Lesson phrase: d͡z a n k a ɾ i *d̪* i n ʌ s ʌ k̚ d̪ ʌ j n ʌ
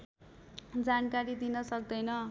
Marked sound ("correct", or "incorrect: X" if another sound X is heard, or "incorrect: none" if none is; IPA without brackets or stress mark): correct